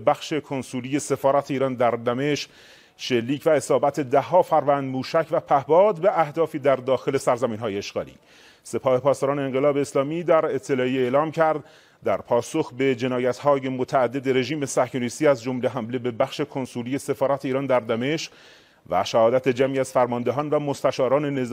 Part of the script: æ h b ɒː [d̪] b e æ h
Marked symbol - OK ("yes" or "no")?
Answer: yes